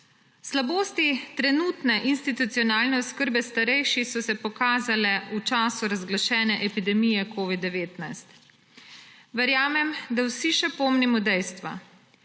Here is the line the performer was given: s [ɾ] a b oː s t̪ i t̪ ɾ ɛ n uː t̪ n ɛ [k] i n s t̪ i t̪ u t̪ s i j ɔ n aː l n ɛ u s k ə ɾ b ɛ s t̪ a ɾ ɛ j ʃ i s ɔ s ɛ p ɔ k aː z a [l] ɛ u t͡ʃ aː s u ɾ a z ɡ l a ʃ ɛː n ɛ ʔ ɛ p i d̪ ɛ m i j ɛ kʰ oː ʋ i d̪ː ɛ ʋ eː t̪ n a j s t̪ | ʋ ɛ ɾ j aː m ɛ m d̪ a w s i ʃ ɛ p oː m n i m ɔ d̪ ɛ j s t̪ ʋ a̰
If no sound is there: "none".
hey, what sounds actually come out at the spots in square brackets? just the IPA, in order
l, ʔ, l

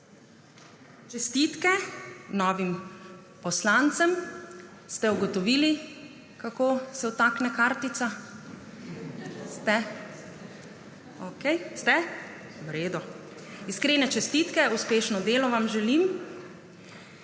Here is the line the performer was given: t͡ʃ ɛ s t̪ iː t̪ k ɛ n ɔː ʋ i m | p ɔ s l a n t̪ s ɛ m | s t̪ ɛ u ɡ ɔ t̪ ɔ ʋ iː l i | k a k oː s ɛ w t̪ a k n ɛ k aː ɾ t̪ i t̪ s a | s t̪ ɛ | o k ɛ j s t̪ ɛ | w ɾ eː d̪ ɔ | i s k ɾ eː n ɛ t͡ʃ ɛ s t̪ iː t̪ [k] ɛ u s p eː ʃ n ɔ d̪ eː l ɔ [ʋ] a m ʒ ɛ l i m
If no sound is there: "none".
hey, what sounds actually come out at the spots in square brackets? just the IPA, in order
k, ʋ

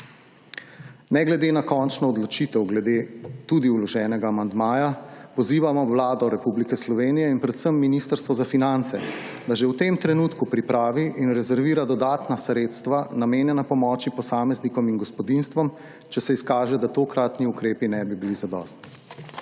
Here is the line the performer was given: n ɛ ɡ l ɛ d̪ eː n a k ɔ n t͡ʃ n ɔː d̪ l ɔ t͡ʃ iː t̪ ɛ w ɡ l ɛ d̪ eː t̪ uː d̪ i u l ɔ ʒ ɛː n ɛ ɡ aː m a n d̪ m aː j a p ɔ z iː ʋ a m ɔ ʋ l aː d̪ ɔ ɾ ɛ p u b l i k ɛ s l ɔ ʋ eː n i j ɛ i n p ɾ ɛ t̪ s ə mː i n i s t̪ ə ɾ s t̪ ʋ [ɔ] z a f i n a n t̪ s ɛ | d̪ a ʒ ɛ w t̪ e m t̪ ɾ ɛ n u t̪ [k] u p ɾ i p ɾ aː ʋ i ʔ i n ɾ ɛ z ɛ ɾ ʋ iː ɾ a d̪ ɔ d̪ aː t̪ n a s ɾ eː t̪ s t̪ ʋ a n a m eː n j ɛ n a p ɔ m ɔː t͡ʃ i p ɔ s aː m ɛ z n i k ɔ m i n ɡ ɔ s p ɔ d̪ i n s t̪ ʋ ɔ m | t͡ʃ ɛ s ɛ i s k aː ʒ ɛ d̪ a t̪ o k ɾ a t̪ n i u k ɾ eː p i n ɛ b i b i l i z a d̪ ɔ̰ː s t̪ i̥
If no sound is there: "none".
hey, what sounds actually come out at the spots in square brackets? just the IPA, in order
ɔ, k

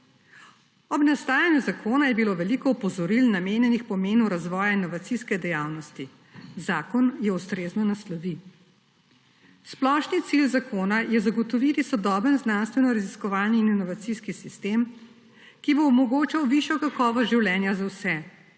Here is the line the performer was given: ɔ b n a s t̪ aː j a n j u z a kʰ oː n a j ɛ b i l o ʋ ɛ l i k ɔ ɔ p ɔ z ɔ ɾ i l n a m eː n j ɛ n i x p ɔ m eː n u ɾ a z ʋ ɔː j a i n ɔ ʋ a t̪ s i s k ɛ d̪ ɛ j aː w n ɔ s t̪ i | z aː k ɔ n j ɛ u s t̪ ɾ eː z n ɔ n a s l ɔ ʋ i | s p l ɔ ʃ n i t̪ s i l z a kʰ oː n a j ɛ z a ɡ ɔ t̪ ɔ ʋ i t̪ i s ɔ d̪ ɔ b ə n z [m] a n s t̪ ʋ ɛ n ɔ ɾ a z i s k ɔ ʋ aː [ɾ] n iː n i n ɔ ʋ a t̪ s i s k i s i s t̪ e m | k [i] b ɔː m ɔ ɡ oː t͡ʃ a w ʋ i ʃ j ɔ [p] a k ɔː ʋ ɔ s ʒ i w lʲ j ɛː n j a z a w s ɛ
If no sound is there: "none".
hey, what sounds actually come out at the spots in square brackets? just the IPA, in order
n, l, i, k

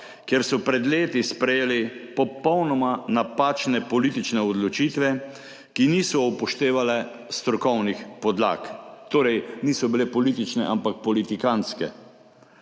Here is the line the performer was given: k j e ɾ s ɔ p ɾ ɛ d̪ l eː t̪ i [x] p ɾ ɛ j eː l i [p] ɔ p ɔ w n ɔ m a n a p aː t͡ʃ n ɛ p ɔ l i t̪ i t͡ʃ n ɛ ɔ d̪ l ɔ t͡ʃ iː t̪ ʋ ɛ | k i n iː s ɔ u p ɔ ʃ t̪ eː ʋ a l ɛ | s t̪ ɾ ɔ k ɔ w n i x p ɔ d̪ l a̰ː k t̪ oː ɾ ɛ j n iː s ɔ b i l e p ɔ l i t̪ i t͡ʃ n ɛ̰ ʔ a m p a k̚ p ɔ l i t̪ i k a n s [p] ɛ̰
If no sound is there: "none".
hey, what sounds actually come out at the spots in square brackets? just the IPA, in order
s, p, k

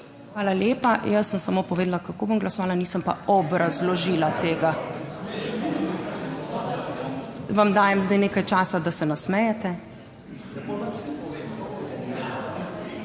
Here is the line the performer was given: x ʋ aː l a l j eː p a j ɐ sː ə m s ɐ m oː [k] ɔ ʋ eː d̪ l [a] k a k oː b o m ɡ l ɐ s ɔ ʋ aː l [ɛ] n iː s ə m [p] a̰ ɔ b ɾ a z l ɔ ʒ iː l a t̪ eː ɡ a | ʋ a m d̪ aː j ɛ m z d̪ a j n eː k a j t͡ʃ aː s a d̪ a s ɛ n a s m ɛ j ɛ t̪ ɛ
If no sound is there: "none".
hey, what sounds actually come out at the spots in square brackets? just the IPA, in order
p, a, a, p

